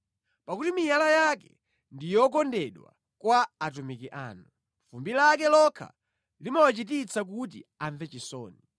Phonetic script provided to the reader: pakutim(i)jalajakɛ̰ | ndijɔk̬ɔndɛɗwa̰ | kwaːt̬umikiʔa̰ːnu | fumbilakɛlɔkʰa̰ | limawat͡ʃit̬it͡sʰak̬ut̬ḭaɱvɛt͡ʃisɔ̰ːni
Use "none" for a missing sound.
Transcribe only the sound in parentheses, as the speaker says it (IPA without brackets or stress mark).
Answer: i